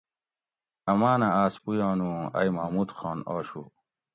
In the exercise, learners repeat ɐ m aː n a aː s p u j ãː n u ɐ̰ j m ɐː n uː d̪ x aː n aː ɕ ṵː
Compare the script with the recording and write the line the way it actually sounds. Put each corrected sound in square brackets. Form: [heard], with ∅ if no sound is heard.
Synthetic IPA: ɐ m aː n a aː s p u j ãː n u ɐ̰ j m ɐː [m] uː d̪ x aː n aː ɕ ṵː